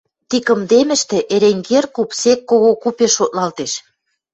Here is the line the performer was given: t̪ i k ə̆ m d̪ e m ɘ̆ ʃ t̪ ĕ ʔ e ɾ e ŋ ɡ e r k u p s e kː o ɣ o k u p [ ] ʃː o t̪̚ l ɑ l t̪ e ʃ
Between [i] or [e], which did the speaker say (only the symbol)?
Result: e